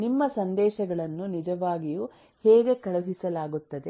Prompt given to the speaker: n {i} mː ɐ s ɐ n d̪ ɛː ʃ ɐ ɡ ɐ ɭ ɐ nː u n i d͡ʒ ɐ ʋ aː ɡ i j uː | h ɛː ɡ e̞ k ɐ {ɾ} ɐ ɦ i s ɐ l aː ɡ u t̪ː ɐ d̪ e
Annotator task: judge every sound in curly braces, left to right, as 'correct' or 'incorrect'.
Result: correct, incorrect

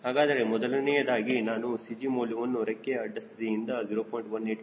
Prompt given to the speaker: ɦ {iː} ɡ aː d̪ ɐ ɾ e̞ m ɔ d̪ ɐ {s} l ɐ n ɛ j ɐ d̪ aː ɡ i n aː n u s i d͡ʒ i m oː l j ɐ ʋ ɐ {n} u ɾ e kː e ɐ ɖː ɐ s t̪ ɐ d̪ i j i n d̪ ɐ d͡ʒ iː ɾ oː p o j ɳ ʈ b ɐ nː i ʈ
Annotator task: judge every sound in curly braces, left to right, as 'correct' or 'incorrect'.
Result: incorrect, incorrect, incorrect

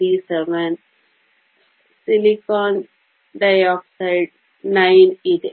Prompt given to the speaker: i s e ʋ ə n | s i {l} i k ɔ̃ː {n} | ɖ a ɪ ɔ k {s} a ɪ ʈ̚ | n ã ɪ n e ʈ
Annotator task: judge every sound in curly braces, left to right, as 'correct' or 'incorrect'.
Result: correct, correct, correct

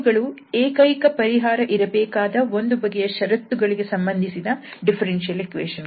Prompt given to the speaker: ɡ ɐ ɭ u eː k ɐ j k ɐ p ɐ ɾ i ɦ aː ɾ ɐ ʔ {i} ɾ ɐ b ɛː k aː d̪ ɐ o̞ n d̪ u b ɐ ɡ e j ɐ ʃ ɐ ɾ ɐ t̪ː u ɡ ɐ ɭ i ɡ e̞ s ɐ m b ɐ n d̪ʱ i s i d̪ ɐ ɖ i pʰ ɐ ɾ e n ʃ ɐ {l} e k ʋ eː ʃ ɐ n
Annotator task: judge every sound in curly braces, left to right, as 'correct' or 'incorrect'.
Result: correct, correct

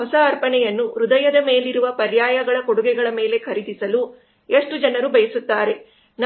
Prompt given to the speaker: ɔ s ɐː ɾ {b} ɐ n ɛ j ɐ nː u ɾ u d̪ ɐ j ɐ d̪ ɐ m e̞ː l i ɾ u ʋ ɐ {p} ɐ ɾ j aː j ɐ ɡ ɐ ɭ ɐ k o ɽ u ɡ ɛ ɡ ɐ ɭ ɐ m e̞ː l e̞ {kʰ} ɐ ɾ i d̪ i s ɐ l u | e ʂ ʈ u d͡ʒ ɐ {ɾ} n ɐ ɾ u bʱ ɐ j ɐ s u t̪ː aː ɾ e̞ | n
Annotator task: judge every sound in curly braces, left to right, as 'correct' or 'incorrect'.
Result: incorrect, correct, correct, incorrect

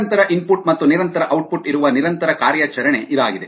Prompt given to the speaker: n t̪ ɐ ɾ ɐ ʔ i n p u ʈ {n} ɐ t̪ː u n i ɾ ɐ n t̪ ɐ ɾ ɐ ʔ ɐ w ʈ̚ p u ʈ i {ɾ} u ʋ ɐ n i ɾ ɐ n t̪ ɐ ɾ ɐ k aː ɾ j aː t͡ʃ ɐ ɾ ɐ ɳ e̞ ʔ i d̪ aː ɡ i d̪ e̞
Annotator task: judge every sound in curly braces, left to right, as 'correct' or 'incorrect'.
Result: incorrect, correct

